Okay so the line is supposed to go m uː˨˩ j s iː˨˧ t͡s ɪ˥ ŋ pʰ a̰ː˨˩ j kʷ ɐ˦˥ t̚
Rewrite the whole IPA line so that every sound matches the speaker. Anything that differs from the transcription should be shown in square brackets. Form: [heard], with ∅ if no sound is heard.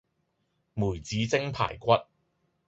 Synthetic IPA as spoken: m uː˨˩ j [t͡s] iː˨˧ t͡s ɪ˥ ŋ pʰ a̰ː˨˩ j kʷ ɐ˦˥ t̚